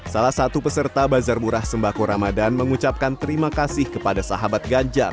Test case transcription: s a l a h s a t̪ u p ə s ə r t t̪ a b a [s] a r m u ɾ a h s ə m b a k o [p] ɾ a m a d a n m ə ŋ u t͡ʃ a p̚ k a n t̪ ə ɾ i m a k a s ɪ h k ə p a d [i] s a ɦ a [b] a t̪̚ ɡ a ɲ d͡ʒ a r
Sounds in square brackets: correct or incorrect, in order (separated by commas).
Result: incorrect, incorrect, incorrect, correct